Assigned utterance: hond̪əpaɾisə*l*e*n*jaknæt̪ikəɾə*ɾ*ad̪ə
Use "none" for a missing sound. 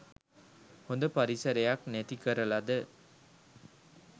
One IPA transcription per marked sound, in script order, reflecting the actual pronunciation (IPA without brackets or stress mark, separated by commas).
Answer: ɾ, none, l